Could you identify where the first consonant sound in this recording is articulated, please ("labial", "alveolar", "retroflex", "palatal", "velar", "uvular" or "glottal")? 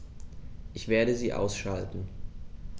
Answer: glottal